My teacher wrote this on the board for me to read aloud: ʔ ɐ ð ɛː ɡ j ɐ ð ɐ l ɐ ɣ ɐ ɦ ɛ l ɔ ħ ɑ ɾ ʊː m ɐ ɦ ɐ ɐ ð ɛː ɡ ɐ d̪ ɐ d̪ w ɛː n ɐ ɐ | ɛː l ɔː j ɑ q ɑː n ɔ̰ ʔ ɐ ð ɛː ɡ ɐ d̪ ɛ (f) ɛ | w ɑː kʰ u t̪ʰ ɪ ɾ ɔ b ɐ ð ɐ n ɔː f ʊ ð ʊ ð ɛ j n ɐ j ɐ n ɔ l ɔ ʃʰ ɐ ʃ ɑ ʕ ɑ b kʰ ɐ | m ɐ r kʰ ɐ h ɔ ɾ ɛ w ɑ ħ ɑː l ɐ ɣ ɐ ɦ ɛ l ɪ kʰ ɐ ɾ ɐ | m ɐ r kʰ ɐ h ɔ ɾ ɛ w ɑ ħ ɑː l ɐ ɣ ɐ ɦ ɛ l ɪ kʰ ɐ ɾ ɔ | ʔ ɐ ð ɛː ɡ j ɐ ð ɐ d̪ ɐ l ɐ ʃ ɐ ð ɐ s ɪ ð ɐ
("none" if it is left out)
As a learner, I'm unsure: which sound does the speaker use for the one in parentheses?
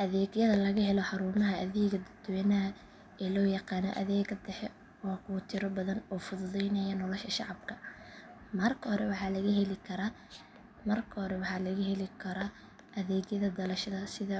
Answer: ħ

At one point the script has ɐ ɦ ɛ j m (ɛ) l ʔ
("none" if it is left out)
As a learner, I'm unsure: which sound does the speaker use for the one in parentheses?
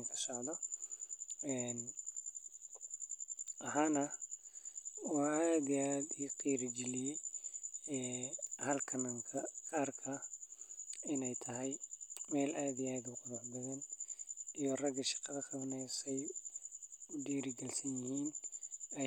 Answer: ɛː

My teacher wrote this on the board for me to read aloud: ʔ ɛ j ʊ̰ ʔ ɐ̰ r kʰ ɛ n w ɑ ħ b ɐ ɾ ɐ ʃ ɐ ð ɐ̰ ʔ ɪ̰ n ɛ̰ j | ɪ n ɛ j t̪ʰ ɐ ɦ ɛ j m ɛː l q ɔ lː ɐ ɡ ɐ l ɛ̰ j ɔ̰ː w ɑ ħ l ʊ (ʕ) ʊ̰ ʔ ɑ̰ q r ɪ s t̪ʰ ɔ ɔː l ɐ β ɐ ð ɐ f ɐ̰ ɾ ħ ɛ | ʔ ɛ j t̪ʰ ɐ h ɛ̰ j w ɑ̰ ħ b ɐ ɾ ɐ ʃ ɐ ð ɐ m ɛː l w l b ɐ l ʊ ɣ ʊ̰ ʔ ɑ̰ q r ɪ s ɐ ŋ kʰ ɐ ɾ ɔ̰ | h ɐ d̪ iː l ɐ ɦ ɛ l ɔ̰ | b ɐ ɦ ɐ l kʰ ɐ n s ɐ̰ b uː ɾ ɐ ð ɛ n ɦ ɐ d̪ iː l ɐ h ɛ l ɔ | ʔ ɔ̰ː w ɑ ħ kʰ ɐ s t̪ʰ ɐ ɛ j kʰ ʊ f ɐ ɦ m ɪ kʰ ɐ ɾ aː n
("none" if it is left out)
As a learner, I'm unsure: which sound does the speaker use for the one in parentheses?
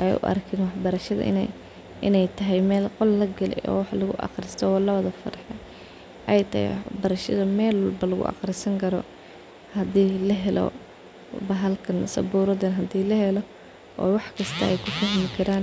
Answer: ɣ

